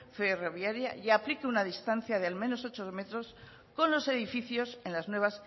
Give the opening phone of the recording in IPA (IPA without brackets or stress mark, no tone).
f